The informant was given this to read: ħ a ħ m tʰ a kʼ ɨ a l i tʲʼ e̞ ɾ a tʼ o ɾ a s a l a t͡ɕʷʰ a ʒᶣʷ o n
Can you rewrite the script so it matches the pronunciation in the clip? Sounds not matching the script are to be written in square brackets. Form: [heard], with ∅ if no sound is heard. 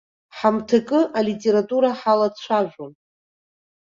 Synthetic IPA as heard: ħ a [∅] m tʰ a kʼ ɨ a l i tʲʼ e̞ ɾ a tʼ [u] ɾ a [ħ] a l a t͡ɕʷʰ a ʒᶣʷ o n